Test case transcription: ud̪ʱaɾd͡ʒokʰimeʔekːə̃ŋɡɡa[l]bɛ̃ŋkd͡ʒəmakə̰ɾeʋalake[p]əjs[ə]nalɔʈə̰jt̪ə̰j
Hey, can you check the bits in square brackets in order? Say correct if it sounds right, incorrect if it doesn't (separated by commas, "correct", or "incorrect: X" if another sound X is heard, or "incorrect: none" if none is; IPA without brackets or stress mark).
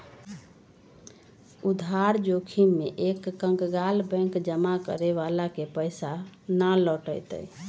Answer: correct, correct, incorrect: a